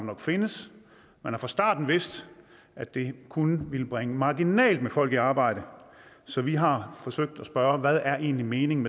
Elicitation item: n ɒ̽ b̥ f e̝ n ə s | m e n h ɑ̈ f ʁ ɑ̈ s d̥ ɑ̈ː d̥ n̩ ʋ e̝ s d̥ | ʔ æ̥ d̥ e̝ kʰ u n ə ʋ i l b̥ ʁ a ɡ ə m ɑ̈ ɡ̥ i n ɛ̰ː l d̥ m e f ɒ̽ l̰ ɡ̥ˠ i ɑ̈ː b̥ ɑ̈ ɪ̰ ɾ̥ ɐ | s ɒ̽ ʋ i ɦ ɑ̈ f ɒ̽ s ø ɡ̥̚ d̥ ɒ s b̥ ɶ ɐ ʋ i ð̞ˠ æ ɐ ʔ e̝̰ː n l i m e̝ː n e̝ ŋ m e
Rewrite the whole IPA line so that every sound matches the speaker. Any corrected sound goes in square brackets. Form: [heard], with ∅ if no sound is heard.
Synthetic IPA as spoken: n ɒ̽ [ɡ̥] f e̝ n ə s | m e n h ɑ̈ f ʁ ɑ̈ s d̥ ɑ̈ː d̥ n̩ ʋ e̝ s d̥ | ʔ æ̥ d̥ e̝ kʰ u n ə ʋ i l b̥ ʁ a [ŋ] ə m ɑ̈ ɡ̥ i n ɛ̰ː l d̥ m e f ɒ̽ l̰ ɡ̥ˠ i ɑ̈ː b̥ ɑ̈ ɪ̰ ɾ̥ [ə] | s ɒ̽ ʋ i ɦ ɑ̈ f ɒ̽ s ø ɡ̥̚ d̥ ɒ s b̥ ɶ ɐ ʋ [æ] ð̞ˠ æ ɐ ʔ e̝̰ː n l i m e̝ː n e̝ ŋ m e